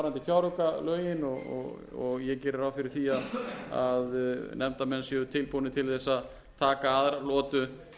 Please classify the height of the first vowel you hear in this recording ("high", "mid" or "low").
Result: low